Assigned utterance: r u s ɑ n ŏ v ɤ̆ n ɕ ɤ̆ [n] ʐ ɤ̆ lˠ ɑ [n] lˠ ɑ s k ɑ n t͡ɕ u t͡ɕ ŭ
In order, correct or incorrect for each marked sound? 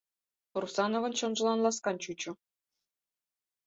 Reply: correct, correct

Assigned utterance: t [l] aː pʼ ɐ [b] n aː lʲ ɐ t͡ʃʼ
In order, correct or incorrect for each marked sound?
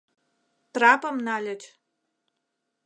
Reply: incorrect: r, incorrect: m

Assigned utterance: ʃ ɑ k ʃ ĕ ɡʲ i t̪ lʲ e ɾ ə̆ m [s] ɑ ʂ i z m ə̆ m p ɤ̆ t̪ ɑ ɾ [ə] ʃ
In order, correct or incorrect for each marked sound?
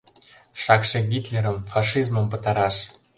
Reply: incorrect: f, incorrect: ɑ

